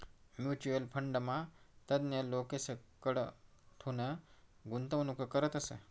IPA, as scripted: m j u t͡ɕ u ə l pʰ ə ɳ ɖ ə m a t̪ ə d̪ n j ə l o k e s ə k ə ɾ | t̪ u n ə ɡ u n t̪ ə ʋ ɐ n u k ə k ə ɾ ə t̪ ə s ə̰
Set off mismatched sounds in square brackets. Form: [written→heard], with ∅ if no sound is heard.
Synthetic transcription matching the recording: m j u t͡ɕ u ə l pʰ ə ɳ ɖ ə m a t̪ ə d̪ n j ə l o k e s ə k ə [ɾ→ɽ] | [t̪→t̪ʰ] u n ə ɡ u n t̪ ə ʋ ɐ n u k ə k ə ɾ ə t̪ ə s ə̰

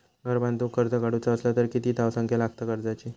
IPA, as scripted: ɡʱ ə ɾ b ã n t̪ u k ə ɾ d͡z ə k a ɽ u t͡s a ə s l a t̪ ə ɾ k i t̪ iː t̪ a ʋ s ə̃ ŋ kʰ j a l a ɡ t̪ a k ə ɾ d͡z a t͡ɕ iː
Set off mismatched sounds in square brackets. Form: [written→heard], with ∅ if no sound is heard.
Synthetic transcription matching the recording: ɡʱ ə ɾ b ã n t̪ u k ə ɾ d͡z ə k a ɽ u t͡s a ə s l a t̪ ə ɾ k i t̪ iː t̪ a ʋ s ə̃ ŋ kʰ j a l a ɡ t̪ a k ə ɾ d͡z a t͡ɕ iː

